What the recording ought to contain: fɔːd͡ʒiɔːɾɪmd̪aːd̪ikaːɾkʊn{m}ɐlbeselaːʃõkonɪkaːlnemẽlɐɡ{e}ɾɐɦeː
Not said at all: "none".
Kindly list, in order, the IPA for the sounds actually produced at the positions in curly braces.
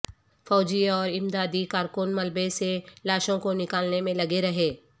m, e

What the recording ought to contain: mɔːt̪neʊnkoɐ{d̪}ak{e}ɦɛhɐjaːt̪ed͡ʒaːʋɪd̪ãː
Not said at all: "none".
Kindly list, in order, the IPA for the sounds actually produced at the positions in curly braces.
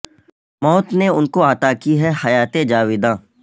t̪, i

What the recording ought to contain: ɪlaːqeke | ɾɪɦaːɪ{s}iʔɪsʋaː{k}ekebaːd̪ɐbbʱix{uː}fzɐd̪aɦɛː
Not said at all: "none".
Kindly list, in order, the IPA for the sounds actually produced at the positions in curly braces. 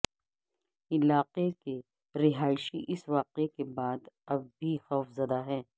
ʃ, q, ɔː

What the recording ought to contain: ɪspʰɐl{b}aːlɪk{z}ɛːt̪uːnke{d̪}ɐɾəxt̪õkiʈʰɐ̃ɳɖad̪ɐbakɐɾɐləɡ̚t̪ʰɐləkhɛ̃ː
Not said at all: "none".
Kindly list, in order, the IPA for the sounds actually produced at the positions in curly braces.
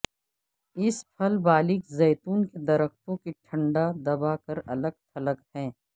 b, z, d̪

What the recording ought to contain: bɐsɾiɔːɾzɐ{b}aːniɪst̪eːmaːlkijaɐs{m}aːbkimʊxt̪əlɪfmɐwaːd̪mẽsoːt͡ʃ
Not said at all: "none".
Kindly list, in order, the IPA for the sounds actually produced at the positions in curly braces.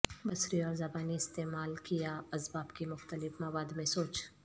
b, b

